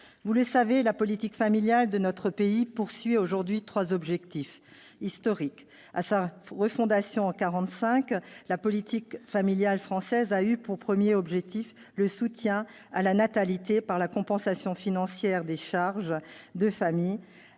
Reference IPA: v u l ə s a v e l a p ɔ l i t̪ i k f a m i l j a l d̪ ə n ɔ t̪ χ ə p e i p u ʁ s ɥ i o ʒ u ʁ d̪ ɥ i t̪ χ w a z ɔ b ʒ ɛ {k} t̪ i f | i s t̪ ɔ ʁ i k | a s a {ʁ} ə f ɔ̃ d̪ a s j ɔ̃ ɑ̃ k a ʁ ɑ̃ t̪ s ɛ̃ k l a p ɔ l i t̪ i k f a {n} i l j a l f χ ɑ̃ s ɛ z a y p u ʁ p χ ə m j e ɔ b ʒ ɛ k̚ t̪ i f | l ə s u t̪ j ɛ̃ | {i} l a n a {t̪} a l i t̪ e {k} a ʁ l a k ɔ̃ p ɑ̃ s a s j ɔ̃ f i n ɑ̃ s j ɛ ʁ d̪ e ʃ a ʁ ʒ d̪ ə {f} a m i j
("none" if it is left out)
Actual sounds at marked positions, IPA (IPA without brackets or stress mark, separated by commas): k, ʁ, m, a, t̪, p, f